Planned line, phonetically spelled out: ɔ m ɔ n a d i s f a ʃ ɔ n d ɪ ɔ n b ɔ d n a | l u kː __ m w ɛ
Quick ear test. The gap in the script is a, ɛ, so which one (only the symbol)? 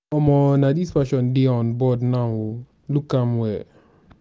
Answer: a